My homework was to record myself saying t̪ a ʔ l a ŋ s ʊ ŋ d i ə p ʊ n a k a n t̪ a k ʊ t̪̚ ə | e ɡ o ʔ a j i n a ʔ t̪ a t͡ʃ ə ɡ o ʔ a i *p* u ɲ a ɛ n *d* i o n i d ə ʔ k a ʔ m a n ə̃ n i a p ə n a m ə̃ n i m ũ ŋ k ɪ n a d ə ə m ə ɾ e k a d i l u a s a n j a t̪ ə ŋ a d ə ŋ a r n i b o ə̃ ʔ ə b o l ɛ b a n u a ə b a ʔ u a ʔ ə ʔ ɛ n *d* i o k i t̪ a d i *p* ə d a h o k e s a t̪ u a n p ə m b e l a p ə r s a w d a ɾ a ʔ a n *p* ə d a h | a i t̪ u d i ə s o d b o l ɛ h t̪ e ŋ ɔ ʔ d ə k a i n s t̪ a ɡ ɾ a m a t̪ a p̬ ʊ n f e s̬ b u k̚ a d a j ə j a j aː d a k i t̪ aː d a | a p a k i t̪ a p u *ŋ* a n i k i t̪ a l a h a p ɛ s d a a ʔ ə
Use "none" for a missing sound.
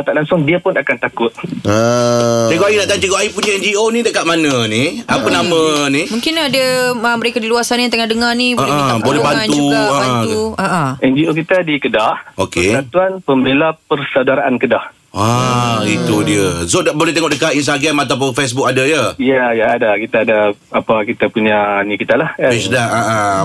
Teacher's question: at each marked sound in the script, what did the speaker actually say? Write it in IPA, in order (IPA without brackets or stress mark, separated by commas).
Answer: p, d͡ʒ, d͡ʒ, k, k, ɲ